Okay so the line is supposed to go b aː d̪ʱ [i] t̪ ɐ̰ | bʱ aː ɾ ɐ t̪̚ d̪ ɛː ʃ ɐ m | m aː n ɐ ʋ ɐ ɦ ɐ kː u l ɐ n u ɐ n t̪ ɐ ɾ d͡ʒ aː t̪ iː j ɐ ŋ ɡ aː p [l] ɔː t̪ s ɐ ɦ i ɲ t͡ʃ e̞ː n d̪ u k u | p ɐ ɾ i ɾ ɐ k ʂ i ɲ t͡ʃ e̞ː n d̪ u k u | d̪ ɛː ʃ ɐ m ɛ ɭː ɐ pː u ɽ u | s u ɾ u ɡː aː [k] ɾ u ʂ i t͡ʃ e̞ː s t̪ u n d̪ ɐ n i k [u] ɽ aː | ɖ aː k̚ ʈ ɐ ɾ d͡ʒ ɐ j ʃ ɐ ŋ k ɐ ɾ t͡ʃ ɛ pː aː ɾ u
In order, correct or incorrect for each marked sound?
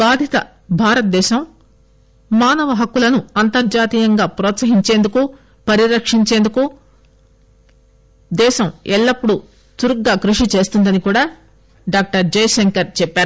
correct, incorrect: ɾ, correct, incorrect: uː

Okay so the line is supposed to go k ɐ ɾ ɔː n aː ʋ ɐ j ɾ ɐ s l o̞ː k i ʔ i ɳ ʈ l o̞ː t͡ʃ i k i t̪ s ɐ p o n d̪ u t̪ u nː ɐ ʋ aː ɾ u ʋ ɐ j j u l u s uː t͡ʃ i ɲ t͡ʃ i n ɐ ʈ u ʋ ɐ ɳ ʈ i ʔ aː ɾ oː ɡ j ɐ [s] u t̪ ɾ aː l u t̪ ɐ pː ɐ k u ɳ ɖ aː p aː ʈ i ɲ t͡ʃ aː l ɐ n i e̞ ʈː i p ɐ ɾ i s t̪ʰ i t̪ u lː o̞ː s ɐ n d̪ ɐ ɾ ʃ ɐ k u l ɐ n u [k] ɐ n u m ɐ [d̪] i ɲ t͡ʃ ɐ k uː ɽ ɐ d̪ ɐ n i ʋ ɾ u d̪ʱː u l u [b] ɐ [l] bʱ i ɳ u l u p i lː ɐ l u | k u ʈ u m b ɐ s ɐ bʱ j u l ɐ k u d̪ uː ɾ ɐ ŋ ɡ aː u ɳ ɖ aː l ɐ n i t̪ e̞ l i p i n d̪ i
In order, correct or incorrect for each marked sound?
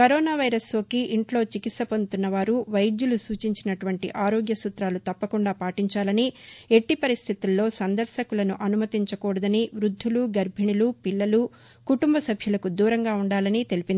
correct, incorrect: ʔ, incorrect: t̪, incorrect: ɡ, incorrect: ɾ

